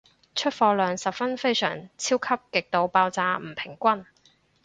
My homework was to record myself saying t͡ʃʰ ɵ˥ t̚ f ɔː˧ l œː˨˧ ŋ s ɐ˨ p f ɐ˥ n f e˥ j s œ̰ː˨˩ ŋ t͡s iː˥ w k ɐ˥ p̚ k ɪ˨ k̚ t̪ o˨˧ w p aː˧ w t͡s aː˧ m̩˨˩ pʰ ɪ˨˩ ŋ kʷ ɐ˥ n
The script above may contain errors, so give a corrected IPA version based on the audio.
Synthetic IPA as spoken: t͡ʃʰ ɵ˥ t̚ f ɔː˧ l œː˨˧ ŋ s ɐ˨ p f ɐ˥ n f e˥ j s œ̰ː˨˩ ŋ t͡sʰ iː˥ w kʰ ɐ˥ p̚ k ɪ˨ k̚ t̪ o˨˧ w p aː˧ w t͡s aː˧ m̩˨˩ pʰ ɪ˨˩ ŋ kʷ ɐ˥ n